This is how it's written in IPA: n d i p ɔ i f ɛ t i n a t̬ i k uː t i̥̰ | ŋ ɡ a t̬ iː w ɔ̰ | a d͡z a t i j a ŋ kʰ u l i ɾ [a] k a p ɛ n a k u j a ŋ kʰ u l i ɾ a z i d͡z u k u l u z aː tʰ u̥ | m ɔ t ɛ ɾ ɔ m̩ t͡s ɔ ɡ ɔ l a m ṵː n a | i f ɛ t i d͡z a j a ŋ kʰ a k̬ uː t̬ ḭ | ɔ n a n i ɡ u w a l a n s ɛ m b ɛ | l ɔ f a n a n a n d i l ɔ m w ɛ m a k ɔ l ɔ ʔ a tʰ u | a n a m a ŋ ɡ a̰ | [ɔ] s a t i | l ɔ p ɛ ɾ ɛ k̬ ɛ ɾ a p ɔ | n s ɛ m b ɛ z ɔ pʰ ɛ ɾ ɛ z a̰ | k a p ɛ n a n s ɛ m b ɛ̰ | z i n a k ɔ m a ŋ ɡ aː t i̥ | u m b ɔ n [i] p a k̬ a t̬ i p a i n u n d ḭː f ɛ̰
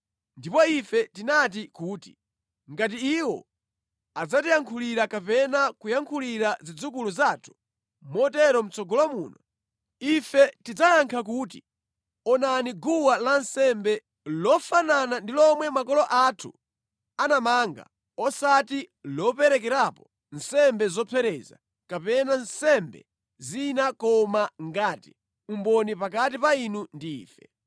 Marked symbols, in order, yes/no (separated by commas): yes, yes, yes